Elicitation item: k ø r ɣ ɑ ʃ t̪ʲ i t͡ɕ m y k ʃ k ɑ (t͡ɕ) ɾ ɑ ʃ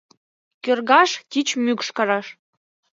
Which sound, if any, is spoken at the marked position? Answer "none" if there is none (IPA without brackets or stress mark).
none